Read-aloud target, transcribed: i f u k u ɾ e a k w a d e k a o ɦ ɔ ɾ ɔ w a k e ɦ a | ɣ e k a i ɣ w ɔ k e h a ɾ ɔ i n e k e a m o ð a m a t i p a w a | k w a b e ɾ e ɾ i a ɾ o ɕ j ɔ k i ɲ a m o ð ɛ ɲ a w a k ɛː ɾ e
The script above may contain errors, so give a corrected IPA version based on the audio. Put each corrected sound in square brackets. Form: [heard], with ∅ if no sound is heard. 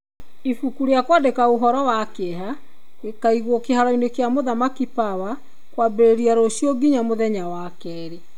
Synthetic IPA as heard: i f u k u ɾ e a k w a d e k a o ɦ ɔ ɾ ɔ w a k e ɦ a | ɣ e k a i ɣ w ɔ k e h a ɾ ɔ i n e k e a m o ð a m a [k] i p a w a | k w a b e ɾ e ɾ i a ɾ o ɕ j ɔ [ɡ] i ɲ a m o ð ɛ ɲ a w a k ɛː ɾ e

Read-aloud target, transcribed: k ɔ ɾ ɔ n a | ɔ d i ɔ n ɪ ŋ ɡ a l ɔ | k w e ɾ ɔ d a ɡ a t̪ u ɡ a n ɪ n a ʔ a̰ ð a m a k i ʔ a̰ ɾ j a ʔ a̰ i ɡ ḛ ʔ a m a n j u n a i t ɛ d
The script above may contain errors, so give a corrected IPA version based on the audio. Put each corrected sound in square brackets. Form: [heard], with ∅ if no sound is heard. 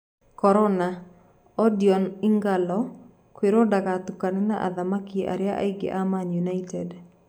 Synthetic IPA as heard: k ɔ ɾ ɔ n a | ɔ d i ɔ n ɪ ŋ ɡ a l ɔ | k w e ɾ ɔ d a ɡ a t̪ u [k] a n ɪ n a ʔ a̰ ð a m a k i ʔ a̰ ɾ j a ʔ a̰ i ɡ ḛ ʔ a m a n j u n a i t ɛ d

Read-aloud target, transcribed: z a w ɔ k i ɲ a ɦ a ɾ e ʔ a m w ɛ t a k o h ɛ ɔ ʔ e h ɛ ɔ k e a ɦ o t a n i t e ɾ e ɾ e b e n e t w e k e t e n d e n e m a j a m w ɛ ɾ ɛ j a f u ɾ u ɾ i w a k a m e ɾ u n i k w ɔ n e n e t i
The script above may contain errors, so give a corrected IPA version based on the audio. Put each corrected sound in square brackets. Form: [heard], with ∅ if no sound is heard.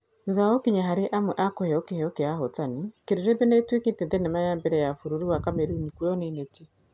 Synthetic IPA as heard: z a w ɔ k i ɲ a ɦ a ɾ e ʔ a m w ɛ [ʔ] a k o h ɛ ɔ [k] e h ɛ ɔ k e a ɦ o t a n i [k] e ɾ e ɾ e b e n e t w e k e t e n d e n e m a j a m [b] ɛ ɾ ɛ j a f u ɾ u ɾ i w a k a m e ɾ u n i k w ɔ n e n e t i

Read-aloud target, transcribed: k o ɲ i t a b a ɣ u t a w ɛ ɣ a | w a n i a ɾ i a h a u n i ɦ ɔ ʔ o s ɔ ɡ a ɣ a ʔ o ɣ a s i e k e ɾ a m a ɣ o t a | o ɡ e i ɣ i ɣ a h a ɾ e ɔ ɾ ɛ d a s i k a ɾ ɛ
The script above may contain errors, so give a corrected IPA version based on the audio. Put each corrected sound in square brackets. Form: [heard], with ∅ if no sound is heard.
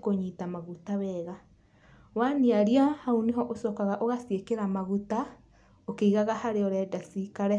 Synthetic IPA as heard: k o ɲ i t a [m] a ɣ u t a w ɛ ɣ a | w a n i a ɾ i a h a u n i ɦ ɔ ʔ o s ɔ [k] a ɣ a ʔ o ɣ a s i e k e ɾ a m a ɣ [u] t a | o [k] e i ɣ [a] ɣ a h a ɾ e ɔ ɾ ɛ d a s i k a ɾ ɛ

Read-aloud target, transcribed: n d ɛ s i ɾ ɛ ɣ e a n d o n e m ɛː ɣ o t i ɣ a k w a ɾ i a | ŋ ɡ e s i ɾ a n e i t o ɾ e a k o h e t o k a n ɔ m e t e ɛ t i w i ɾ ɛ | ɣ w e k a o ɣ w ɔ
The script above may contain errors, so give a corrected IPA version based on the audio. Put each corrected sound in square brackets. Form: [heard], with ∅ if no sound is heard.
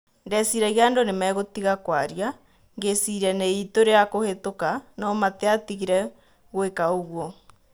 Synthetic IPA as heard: n d ɛ s i ɾ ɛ ɣ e a n d o n e m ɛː ɣ o t i ɣ a k w a ɾ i a | ŋ ɡ e s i ɾ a n e i t o ɾ e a k o h e t o k a n ɔ m [a] t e [a] t i [ɣ] i ɾ ɛ | ɣ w e k a o ɣ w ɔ

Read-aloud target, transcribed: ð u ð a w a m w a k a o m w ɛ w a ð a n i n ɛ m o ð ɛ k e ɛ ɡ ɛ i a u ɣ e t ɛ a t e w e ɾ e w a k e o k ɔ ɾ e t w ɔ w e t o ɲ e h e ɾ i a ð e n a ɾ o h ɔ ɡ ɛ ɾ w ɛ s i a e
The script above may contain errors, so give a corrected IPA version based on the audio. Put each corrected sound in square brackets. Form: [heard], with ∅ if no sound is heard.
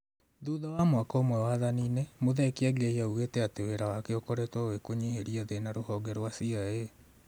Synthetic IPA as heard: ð u ð a w a m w a k a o m w ɛ w a ð a n i n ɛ m o ð ɛ k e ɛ ɡ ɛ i a u ɣ e t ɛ a t e w e ɾ [a] w a k e o k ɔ ɾ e t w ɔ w e [k] o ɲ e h e ɾ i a ð e n a ɾ o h ɔ ɡ ɛ ɾ w [a] s i a e

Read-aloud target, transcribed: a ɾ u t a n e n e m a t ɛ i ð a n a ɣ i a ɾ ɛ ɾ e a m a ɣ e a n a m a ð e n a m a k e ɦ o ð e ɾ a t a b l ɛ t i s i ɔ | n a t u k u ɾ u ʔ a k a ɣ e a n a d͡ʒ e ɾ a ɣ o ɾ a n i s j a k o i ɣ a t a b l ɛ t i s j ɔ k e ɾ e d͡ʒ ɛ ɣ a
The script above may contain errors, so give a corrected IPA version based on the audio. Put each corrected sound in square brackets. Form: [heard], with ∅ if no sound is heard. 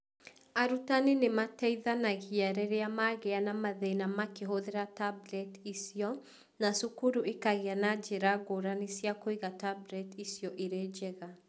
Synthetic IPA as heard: a ɾ u t a n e n e m a t ɛ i ð a n a ɣ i a ɾ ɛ ɾ e a m a ɣ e a n a m a ð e n a m a k e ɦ o ð e ɾ a t a b l ɛ t i s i ɔ | n a [s] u k u ɾ u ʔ [e] k a ɣ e a n a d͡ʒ e ɾ a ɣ o ɾ a n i s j a k o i ɣ a t a b l ɛ t i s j ɔ [ʔ] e ɾ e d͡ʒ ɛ ɣ a

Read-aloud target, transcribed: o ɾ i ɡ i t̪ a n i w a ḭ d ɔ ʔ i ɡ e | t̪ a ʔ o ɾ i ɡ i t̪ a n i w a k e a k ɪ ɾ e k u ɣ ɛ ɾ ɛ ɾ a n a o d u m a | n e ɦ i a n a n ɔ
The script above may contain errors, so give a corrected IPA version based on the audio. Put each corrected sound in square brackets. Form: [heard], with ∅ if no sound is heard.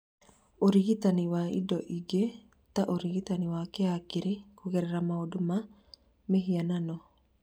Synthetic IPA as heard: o ɾ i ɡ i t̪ a n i w a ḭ d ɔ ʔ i ɡ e | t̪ a ʔ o ɾ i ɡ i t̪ a n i w a k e a k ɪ ɾ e k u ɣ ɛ ɾ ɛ ɾ a [m] a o d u m a | [m] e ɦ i a n a n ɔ

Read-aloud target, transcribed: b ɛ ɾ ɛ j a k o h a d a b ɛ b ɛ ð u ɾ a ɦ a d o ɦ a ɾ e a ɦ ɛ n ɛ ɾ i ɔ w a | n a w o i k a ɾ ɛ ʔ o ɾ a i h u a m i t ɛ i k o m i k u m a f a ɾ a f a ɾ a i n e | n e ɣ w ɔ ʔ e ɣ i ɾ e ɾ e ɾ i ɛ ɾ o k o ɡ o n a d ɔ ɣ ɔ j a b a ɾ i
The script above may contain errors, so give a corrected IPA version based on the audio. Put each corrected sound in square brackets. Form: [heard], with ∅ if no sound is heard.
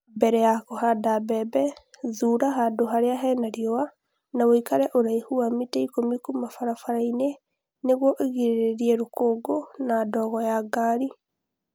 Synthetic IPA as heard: b ɛ ɾ ɛ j a k o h a d a b ɛ b ɛ ð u ɾ a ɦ a d o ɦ a ɾ e a ɦ ɛ n [a] ɾ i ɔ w a | n a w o i k a ɾ ɛ ʔ o ɾ a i h u a m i t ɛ i k o m i k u m a f a ɾ a f a ɾ a i n e | n e ɣ w ɔ ʔ e ɣ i ɾ e ɾ e ɾ i ɛ ɾ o k o ɡ o n a d ɔ ɣ ɔ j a [ɡ] a ɾ i

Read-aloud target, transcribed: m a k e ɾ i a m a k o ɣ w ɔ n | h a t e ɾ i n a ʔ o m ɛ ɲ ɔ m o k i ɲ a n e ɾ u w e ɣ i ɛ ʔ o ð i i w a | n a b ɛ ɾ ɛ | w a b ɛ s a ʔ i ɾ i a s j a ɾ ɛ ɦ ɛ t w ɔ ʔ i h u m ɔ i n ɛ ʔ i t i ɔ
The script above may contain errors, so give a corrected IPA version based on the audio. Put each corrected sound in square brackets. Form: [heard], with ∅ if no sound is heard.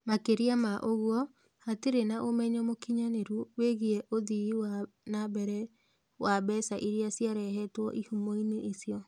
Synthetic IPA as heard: m a k e ɾ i a m a [ʔ] o ɣ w ɔ [∅] | h a t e ɾ [e] n a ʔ o m ɛ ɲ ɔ m o k i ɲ a n e ɾ u w e ɣ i ɛ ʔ o ð i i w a | n a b ɛ ɾ ɛ | w a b ɛ s a ʔ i ɾ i a s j a ɾ ɛ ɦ ɛ t w ɔ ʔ i h u m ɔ i n [e] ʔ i [s] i ɔ

